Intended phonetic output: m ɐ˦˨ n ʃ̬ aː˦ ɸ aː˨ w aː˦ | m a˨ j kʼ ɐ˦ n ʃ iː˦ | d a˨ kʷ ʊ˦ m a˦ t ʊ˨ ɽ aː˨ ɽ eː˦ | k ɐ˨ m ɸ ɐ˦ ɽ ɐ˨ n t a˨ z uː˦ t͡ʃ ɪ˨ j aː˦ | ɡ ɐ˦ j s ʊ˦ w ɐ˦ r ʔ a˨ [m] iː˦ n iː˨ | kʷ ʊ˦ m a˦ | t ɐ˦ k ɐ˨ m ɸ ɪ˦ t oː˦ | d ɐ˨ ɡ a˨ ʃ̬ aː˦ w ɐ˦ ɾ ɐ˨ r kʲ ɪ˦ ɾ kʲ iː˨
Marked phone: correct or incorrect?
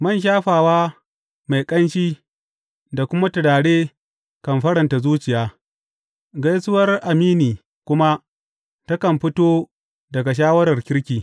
correct